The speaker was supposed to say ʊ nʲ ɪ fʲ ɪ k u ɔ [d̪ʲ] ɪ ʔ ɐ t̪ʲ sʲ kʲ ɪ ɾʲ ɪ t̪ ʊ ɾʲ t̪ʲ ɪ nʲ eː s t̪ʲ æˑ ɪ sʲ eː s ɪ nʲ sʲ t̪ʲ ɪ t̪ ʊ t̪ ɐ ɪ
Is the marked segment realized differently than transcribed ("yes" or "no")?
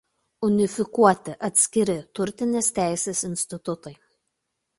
yes